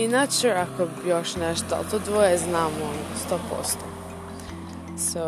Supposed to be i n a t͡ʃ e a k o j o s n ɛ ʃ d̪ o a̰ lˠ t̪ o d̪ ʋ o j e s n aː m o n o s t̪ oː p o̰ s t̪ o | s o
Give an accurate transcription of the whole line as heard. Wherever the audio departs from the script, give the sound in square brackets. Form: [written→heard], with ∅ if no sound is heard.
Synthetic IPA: i n a t͡ʃ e a k o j o [s→ʃ] n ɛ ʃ [d̪→t̪] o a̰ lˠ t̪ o d̪ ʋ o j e [s→z] n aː m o n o s t̪ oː p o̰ s t̪ o | s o